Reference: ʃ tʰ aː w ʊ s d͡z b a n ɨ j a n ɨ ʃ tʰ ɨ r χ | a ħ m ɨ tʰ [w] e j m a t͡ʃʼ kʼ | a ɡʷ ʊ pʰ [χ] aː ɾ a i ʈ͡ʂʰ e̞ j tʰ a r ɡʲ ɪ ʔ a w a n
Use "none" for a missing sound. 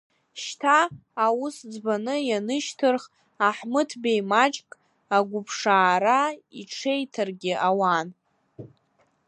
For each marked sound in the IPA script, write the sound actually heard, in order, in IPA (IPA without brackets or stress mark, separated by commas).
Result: b, ʂ